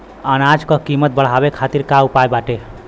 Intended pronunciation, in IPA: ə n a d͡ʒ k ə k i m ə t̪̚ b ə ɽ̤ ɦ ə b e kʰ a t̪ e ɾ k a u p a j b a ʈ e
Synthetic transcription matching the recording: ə n a d͡ʒ k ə k i m ə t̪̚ b ə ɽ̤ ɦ a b e kʰ a t̪ i ɾ k a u p a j b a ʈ e

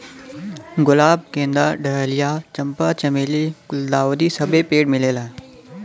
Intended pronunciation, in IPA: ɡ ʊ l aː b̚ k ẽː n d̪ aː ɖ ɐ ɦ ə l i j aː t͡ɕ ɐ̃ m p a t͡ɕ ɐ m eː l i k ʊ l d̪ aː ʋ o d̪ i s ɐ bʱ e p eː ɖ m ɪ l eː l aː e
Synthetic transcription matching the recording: ɡ ʊ l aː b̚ k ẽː n d̪ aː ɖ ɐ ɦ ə l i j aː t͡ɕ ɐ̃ m p a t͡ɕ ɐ m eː l i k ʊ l d̪ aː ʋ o d̪ i s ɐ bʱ e p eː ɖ m ɪ l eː l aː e

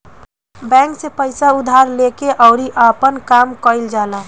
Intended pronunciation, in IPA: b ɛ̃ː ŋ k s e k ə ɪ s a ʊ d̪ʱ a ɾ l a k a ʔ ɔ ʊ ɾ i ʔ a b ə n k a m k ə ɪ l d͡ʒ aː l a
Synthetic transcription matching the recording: b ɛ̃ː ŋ k s e p ə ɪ s a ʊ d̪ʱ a ɾ l e k e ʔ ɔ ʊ ɾ i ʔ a p ə n k a m k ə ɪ l d͡ʒ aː l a

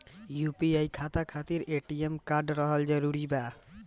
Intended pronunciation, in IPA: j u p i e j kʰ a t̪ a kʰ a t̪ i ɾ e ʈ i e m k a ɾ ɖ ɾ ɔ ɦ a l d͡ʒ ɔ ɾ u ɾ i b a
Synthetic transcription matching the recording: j u p i a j kʰ a t̪ a kʰ a t̪ i ɾ e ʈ i e m k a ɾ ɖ ɾ ɔ ɦ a l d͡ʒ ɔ ɾ u ɾ i b a

